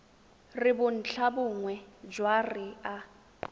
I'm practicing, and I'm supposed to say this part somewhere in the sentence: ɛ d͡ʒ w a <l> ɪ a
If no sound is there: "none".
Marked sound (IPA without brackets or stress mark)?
r